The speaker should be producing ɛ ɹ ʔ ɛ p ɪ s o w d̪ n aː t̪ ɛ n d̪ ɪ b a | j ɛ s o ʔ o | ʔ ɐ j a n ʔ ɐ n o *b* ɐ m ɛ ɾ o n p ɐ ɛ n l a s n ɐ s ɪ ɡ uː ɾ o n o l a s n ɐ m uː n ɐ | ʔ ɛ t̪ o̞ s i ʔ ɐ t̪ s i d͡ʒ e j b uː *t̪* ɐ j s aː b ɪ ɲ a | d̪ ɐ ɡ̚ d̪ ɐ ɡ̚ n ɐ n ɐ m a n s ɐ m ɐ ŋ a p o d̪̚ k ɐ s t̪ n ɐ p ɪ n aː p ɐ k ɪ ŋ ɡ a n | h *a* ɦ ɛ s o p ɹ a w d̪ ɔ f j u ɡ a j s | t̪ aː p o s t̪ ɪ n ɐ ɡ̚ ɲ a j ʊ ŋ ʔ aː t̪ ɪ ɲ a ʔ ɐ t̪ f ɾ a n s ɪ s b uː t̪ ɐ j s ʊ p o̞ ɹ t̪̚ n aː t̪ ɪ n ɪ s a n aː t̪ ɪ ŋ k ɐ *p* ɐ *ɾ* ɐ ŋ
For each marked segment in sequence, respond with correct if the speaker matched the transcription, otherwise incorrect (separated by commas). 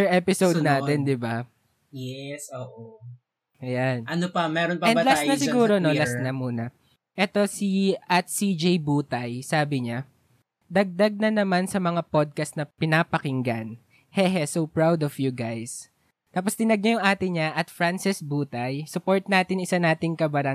incorrect, correct, incorrect, incorrect, correct